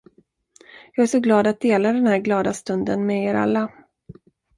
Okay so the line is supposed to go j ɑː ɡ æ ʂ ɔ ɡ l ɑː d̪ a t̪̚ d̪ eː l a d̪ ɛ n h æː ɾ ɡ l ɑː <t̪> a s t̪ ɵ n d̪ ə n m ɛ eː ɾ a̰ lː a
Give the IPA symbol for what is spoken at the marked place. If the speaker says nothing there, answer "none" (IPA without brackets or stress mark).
d̪